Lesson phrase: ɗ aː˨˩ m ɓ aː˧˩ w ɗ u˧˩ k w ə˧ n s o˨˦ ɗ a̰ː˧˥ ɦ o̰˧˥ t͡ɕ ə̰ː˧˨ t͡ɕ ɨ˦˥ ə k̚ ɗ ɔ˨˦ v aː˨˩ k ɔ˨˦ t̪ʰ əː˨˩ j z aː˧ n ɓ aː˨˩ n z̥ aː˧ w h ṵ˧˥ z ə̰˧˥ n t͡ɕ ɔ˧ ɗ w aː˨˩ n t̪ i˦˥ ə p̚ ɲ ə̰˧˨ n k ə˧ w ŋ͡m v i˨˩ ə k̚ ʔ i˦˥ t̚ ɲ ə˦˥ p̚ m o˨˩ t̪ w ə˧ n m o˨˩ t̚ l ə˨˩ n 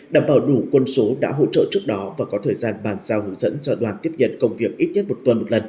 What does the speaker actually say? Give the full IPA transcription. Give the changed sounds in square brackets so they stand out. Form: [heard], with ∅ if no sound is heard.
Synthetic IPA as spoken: ɗ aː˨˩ m ɓ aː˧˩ w ɗ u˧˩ k w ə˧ n s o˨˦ ɗ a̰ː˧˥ ɦ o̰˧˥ t͡ɕ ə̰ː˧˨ t͡ɕ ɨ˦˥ ə k̚ ɗ ɔ˨˦ v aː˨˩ k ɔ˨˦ t̪ʰ əː˨˩ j z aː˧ n ɓ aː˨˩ n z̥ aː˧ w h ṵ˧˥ z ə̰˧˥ n t͡ɕ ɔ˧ ɗ w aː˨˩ n t̪ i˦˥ ə p̚ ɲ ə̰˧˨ n k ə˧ w ŋ͡m v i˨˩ ə k̚ ʔ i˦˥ t̚ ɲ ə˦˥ [t̚] m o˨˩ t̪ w ə˧ n m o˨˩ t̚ l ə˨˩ n

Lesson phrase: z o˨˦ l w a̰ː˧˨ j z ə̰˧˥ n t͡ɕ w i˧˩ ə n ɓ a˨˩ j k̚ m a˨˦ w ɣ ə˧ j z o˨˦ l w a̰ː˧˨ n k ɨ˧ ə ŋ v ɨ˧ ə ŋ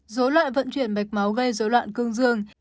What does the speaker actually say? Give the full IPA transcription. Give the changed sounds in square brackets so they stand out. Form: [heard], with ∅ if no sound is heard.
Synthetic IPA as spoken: z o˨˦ l w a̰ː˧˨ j [v] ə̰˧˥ n t͡ɕ w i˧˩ ə n ɓ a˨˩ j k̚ m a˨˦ w ɣ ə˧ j z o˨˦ l w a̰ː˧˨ n k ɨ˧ ə ŋ [z] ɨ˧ ə ŋ

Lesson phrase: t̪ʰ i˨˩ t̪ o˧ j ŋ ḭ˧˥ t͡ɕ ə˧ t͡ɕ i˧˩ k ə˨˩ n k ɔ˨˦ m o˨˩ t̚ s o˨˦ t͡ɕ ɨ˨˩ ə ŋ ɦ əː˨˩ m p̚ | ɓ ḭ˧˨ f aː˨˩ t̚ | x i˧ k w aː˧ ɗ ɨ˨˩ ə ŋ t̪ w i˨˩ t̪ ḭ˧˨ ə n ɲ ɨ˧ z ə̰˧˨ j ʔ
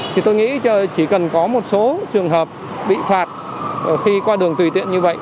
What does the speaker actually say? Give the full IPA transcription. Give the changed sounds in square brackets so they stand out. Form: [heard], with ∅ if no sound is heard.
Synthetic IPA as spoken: t̪ʰ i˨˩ t̪ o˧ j ŋ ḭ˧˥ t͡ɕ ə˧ t͡ɕ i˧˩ k ə˨˩ n k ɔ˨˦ m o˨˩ t̚ s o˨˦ t͡ɕ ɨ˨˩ ə ŋ ɦ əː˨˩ [∅] p̚ | ɓ ḭ˧˨ f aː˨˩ t̚ | x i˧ k w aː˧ ɗ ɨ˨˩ ə ŋ t̪ w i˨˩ t̪ ḭ˧˨ ə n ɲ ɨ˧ [v] ə̰˧˨ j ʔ

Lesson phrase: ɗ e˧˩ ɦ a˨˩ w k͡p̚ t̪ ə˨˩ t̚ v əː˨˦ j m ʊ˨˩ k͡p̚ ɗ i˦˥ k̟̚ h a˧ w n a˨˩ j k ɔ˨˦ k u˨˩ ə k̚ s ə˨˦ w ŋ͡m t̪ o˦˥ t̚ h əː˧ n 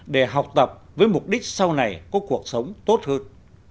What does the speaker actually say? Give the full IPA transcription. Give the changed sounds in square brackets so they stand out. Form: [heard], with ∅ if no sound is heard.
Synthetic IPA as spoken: ɗ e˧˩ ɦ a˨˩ w k͡p̚ t̪ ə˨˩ [p̚] v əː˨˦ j m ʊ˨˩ k͡p̚ ɗ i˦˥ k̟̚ [s] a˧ w n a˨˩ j k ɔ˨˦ k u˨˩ ə k̚ s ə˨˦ w ŋ͡m t̪ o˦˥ t̚ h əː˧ n

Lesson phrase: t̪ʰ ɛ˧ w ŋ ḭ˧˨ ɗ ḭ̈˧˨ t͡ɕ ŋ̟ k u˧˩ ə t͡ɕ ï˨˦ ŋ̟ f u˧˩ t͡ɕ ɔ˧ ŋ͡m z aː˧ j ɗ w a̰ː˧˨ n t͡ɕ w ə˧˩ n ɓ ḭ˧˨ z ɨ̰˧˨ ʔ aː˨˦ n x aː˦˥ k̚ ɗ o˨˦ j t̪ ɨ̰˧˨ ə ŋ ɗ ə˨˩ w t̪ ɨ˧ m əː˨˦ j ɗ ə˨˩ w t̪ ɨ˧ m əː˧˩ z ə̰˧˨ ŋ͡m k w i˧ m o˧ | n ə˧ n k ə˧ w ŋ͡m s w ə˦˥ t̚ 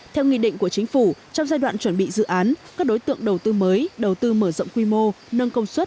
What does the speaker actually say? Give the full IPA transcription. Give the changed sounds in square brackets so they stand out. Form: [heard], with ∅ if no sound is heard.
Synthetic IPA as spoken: t̪ʰ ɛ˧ w ŋ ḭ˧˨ ɗ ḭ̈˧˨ [∅] ŋ̟ k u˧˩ ə t͡ɕ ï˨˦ ŋ̟ f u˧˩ t͡ɕ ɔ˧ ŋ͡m z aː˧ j ɗ w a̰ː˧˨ n t͡ɕ w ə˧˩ n ɓ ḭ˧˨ z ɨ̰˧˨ ʔ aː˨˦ n [k] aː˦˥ k̚ ɗ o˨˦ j t̪ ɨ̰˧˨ ə ŋ ɗ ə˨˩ w t̪ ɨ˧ m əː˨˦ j ɗ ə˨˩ w t̪ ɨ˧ m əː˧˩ z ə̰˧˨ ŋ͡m k w i˧ m o˧ | n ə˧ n k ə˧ w ŋ͡m s w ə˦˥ t̚

